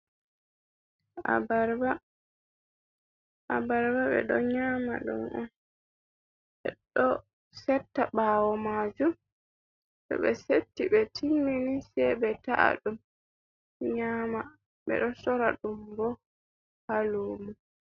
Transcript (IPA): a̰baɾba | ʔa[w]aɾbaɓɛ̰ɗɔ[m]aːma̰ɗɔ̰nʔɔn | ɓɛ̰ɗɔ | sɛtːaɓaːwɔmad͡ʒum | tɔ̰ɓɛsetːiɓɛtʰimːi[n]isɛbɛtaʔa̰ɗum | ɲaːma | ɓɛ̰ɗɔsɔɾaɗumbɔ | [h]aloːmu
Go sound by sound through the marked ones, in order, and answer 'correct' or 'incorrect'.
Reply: incorrect, incorrect, correct, correct

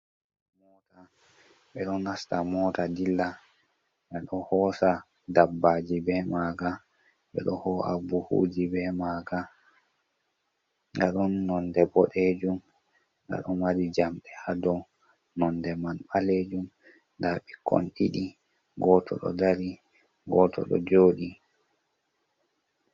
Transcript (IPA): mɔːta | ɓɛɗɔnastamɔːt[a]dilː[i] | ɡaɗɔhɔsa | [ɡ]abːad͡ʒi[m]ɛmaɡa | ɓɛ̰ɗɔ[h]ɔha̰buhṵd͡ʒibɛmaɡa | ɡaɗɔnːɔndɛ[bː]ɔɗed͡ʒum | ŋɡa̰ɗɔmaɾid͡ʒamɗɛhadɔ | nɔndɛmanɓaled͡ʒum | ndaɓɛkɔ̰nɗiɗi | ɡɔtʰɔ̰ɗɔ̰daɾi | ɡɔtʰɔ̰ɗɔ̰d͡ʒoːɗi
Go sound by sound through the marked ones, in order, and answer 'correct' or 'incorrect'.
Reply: correct, incorrect, incorrect, incorrect, correct, incorrect

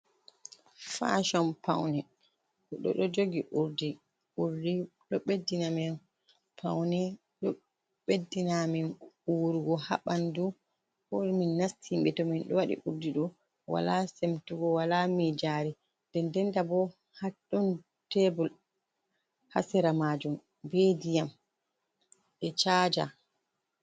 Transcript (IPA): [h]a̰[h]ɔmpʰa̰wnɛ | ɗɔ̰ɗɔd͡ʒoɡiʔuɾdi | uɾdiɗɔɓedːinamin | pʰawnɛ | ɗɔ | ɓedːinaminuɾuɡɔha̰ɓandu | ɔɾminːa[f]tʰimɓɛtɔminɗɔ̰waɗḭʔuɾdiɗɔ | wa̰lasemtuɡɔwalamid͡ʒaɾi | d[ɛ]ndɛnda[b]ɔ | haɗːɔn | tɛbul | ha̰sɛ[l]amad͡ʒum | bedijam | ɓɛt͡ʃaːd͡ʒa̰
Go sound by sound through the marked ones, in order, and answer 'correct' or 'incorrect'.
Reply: incorrect, incorrect, incorrect, correct, correct, incorrect

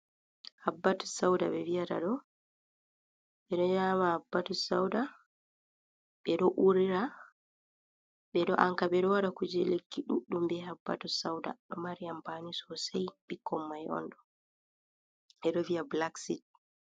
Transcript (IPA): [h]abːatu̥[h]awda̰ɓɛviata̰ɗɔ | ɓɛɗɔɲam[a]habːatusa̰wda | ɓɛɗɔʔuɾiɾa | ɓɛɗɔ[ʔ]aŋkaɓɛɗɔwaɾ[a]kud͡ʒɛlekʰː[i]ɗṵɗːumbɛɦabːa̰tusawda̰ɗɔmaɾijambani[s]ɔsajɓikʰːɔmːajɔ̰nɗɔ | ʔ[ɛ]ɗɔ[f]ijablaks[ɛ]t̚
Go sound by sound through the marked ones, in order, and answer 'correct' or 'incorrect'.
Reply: correct, incorrect, correct, correct, correct, correct, correct, correct, incorrect, incorrect

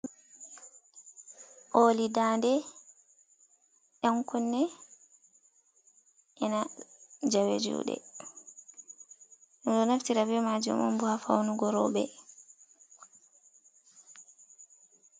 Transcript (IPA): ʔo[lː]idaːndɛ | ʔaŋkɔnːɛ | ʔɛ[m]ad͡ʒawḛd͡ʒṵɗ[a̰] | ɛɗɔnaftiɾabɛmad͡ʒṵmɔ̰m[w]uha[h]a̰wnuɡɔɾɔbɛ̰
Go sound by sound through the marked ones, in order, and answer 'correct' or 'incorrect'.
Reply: incorrect, incorrect, incorrect, incorrect, incorrect

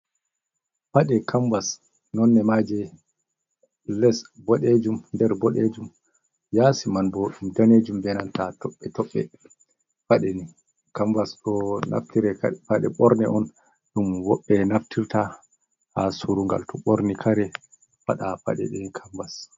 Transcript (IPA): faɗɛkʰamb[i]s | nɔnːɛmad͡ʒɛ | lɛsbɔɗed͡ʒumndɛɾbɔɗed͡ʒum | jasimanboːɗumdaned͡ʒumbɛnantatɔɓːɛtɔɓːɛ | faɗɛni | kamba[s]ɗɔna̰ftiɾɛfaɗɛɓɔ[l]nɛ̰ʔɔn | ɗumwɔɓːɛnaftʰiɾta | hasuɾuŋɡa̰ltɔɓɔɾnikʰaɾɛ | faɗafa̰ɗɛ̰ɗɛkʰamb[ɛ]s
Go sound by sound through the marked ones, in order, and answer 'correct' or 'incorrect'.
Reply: incorrect, correct, incorrect, incorrect

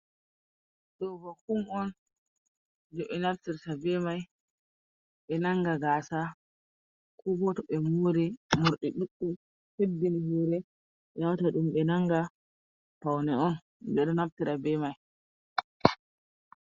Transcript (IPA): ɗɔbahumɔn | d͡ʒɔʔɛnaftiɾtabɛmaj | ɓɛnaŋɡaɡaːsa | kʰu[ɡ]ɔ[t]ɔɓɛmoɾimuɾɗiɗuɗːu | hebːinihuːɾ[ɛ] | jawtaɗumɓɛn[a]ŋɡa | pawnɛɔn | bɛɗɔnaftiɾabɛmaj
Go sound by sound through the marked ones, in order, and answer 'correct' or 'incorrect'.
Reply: incorrect, correct, correct, correct

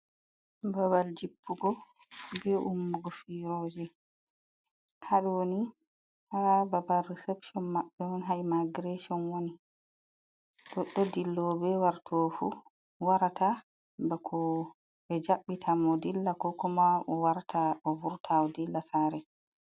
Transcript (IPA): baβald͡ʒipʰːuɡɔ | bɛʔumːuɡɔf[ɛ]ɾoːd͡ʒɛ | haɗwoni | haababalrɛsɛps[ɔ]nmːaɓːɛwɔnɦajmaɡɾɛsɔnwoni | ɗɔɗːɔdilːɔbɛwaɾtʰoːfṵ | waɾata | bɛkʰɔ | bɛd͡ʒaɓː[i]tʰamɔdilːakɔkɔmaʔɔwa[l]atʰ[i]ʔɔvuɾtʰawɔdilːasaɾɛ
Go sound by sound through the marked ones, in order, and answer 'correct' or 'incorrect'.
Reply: incorrect, correct, correct, incorrect, incorrect

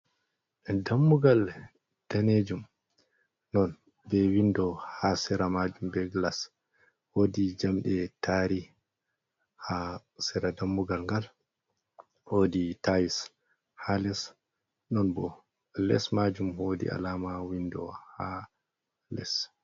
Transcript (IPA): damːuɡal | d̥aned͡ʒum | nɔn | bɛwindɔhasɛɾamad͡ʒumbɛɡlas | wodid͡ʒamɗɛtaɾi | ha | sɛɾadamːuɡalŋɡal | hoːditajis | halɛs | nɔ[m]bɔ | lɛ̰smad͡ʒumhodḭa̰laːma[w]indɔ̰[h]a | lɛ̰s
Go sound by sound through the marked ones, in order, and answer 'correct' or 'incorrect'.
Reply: incorrect, correct, correct

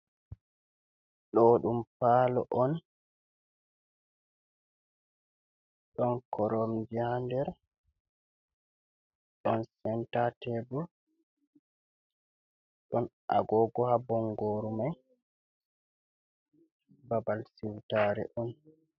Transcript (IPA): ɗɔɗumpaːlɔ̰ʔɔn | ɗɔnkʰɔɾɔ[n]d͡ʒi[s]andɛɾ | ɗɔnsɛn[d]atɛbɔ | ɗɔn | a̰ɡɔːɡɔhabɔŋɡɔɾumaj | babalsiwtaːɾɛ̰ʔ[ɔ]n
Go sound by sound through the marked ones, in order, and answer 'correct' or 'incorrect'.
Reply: incorrect, incorrect, incorrect, correct

